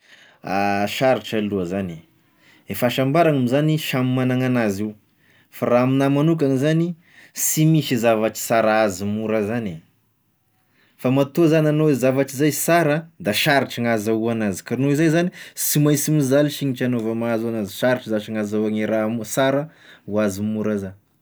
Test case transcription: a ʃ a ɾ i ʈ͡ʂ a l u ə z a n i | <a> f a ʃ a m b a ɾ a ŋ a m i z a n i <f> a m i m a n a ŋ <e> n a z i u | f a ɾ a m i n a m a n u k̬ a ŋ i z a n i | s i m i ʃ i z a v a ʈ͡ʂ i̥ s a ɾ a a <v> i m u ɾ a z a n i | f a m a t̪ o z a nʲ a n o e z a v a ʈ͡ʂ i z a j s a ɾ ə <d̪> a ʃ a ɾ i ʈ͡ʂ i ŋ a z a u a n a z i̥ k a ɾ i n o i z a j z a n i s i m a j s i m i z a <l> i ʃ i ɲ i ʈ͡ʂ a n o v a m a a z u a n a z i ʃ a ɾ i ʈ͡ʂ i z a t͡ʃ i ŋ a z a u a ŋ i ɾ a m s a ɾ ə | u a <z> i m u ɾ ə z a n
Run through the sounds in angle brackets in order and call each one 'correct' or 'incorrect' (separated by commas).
incorrect, incorrect, incorrect, incorrect, correct, correct, correct